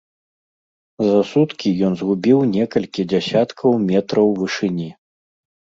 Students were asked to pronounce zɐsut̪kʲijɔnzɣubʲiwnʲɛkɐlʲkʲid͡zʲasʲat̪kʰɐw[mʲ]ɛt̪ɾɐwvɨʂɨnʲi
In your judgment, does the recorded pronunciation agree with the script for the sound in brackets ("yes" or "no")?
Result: yes